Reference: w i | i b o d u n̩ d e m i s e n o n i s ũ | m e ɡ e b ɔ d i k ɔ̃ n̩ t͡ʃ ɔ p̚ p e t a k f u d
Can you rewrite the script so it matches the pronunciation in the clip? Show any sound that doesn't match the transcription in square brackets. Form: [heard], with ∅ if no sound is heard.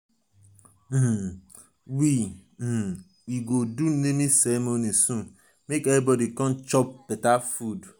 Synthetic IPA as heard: w i | i [ɡ] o d u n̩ [n] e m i s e [m] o n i s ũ | m e [k] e b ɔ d i k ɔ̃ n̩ t͡ʃ ɔ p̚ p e t a [∅] f u d